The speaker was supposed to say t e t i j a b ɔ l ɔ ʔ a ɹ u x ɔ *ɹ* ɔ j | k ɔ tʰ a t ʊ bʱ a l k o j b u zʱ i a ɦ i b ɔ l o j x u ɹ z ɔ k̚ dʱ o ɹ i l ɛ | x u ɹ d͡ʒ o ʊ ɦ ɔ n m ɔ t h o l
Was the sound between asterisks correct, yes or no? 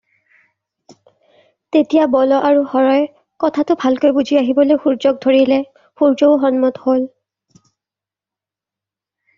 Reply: yes